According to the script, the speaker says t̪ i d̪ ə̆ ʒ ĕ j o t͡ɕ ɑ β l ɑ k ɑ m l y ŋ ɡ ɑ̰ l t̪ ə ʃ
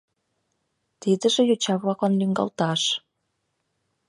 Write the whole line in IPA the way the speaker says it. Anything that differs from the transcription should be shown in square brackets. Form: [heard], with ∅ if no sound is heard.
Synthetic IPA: t̪ i d̪ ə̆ ʒ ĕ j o t͡ɕ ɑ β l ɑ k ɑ [n] l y ŋ ɡ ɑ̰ l t̪ [ɑ] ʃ